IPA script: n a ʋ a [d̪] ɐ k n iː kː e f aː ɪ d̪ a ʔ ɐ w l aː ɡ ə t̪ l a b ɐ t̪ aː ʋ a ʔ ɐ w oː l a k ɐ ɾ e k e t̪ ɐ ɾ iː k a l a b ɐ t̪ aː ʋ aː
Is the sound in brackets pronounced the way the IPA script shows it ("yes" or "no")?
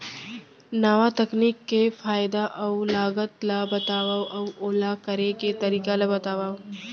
no